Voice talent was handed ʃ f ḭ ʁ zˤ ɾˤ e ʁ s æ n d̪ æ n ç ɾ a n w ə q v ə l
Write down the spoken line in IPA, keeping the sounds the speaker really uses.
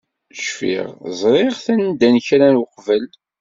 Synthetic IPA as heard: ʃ f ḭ ʁ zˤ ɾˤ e ʁ θ æ n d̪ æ n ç ɾ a n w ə q v ə l